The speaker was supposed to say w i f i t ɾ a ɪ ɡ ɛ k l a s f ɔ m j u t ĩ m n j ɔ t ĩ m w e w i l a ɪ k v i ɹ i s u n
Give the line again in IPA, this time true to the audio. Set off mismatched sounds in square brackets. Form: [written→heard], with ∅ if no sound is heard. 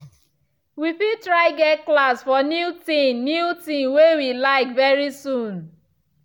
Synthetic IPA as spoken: w i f i t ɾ a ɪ ɡ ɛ k l a s f ɔ [m→n] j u t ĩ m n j [ɔ→u] t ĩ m w e w i l a ɪ k v [i→ɛ] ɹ i s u n

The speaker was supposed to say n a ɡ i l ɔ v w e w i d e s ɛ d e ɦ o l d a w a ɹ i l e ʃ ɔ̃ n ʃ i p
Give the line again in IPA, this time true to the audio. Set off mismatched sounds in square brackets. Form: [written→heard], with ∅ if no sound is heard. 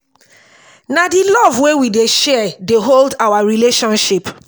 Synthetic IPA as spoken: n a [ɡ→d] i l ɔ v w e w i d e [s→ʃ] ɛ d e ɦ o l d a w a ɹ i l e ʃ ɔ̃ n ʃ i p

